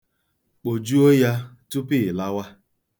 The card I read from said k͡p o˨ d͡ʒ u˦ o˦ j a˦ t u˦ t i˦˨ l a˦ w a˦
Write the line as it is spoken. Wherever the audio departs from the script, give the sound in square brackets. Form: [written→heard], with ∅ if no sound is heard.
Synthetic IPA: k͡p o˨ d͡ʒ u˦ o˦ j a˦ t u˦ [t→p] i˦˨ l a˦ w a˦